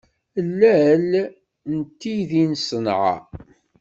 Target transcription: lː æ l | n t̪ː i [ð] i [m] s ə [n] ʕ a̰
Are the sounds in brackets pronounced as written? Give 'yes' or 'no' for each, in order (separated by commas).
yes, no, yes